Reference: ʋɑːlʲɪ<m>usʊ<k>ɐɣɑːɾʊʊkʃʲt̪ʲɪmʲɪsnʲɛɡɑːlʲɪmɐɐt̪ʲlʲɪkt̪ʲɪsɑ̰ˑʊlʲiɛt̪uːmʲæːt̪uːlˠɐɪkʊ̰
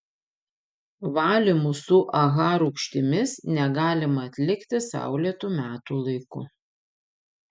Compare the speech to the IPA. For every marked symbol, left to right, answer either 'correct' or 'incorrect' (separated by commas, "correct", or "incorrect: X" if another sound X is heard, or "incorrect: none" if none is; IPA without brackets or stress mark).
correct, incorrect: ʔ